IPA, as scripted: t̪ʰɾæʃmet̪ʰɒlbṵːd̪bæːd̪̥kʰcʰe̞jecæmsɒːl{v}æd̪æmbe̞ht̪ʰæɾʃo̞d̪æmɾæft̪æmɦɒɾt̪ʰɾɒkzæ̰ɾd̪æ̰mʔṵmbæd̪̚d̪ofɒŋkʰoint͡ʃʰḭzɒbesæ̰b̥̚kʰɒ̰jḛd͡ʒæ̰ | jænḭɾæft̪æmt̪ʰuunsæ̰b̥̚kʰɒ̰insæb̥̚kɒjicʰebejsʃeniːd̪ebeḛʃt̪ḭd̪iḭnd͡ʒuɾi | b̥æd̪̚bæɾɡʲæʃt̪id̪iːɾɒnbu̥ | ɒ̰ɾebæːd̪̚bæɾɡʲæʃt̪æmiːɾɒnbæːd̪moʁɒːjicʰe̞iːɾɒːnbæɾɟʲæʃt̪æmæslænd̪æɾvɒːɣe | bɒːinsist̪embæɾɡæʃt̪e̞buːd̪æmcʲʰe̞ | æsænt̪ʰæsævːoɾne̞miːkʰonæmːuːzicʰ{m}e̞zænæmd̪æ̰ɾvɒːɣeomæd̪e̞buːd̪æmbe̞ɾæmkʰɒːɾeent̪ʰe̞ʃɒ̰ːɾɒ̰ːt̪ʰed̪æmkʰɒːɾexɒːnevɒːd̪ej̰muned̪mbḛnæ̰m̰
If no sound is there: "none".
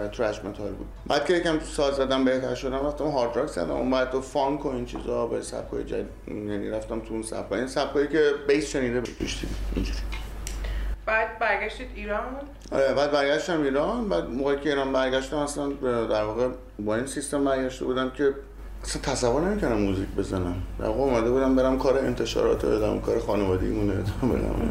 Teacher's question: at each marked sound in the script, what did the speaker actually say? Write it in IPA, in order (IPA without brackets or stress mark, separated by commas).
z, b